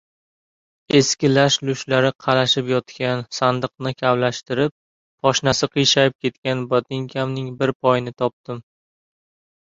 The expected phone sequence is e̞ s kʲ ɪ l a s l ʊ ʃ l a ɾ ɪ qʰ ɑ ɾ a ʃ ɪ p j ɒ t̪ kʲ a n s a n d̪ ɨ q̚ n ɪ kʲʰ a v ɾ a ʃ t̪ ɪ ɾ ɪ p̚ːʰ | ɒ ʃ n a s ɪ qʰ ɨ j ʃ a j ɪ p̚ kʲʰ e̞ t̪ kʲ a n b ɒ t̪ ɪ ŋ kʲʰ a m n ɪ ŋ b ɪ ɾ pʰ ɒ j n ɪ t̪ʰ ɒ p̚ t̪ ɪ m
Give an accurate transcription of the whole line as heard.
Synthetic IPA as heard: e̞ s kʲ ɪ l a ʃ l ʊ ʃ l a ɾ ɪ qʰ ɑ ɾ a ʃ ɪ p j ɒ t̪ kʲ a n s a n d̪ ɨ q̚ n ɪ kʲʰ a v l a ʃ t̪ ɪ ɾ ɪ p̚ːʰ | ɒ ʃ n a s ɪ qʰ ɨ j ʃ a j ɪ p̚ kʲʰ e̞ t̪ kʲ a n b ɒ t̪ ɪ ŋ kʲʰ a m n ɪ ŋ b ɪ ɾ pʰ ɒ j n ɪ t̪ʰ ɒ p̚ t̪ ɪ m